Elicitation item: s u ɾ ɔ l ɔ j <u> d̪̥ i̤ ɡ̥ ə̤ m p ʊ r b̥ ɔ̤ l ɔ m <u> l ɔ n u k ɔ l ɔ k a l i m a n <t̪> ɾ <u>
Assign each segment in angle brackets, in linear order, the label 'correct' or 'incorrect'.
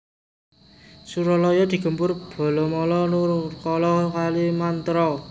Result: incorrect: ɔ, incorrect: ɔ, correct, incorrect: ɔ

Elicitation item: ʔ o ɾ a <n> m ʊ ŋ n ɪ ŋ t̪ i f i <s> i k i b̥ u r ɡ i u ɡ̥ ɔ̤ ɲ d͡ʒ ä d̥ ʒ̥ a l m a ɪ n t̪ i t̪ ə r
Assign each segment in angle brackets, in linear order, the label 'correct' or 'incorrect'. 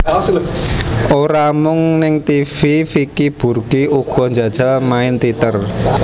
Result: incorrect: none, incorrect: f

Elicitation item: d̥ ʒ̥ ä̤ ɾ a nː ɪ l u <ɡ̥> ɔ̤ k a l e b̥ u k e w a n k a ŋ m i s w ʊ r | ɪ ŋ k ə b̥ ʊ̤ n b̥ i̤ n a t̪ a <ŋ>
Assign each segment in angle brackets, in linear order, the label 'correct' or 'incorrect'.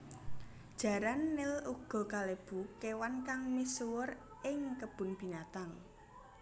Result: correct, correct

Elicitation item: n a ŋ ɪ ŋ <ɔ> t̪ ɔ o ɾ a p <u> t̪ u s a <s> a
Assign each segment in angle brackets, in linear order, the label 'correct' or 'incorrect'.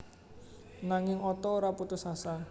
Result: correct, correct, correct

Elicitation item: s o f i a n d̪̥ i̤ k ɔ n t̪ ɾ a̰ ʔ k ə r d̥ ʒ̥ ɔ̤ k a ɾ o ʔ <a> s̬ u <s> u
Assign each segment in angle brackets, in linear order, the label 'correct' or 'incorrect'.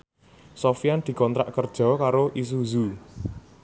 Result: incorrect: i, incorrect: z

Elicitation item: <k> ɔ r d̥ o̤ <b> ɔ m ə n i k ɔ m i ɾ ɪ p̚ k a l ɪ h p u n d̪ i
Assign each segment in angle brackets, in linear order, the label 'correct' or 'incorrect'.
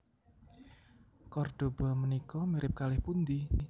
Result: correct, correct

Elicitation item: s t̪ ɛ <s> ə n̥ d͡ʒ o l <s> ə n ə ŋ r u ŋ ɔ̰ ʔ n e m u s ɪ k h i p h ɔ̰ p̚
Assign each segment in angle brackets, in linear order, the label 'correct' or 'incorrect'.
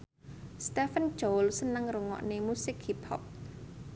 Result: incorrect: f, correct

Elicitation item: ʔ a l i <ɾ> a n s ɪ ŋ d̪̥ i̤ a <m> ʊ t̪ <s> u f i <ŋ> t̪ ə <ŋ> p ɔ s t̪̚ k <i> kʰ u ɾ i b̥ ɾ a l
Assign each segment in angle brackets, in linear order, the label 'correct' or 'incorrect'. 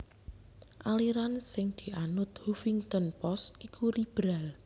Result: correct, incorrect: n, incorrect: h, correct, incorrect: n, correct

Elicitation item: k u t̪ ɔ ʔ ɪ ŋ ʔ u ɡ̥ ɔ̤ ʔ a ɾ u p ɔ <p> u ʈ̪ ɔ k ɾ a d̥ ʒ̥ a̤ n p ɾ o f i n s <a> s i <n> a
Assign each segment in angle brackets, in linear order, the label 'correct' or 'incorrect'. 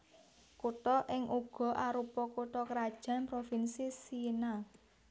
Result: incorrect: k, incorrect: i, correct

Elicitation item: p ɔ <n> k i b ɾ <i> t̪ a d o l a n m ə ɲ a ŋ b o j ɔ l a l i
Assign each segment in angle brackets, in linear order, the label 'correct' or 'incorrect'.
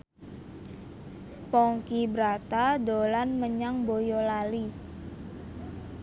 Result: incorrect: ŋ, incorrect: a

